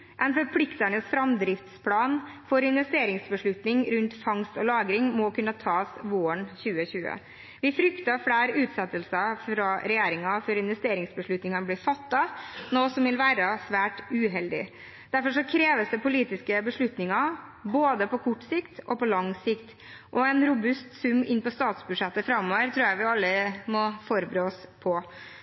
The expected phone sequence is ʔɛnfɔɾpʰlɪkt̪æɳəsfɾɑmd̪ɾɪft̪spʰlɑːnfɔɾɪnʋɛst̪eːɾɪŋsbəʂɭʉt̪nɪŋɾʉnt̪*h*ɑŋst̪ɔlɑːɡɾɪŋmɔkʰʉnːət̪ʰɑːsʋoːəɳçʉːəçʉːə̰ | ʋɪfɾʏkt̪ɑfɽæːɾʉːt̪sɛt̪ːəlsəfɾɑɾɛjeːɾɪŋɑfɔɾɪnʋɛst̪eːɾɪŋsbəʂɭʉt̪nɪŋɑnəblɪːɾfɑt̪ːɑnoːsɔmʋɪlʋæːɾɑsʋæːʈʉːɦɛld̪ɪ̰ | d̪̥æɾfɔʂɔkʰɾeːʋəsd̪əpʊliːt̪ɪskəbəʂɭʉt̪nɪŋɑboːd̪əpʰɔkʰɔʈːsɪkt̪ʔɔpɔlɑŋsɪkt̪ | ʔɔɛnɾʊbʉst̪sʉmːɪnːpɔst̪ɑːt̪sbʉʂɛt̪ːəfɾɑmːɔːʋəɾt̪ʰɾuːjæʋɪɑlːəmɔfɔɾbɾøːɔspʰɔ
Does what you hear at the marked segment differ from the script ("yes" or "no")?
yes